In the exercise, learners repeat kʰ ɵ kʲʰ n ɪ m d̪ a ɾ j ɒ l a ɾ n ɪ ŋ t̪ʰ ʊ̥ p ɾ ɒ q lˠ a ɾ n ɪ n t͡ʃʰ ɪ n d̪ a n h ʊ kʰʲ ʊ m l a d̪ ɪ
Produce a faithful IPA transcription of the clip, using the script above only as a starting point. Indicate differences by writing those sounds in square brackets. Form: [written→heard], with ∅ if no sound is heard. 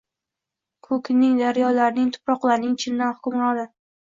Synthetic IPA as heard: kʰ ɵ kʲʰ n ɪ [m→ŋ] d̪ a ɾ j ɒ l a ɾ n ɪ ŋ t̪ʰ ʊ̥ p ɾ ɒ q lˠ a ɾ n ɪ [n→ŋ] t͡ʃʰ ɪ n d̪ a n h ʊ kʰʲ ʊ m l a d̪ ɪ